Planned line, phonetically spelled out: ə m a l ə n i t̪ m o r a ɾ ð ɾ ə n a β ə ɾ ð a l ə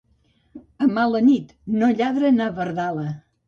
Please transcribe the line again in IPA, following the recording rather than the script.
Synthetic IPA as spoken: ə m a l ə n i t̪ n o ʎ a ð ɾ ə n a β ə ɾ ð a l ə